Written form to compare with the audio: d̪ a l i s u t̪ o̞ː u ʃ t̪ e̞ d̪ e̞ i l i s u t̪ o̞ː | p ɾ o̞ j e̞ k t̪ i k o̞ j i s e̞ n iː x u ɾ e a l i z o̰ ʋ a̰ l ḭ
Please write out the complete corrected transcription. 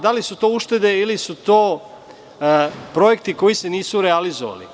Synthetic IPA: d̪ a l i s u t̪ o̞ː u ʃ t̪ e̞ d̪ e̞ i l i s u t̪ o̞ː | p ɾ o̞ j e̞ k t̪ i k o̞ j i s e̞ n iː s u ɾ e a l i z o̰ ʋ a̰ l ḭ